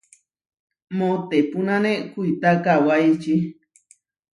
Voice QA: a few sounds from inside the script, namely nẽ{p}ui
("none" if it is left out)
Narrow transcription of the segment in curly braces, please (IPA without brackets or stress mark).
k